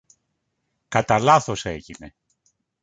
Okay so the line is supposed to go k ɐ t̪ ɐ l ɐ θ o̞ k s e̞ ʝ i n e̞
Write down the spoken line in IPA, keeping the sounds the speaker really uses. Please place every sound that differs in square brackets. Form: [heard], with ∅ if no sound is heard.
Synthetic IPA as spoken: k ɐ t̪ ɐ l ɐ θ o̞ [∅] s e̞ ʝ i n e̞